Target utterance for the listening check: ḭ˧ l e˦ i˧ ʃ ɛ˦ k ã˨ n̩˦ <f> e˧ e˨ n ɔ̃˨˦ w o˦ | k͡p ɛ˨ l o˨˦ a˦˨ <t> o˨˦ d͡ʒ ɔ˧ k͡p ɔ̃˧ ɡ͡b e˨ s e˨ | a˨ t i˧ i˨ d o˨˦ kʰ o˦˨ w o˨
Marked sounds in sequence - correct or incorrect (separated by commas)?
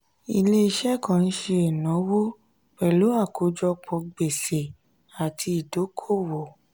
incorrect, incorrect